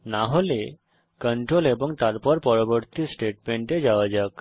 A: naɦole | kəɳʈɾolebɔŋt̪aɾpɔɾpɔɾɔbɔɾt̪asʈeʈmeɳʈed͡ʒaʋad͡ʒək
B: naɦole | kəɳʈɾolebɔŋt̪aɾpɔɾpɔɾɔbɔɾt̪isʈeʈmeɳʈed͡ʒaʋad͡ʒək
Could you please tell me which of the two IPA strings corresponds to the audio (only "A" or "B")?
B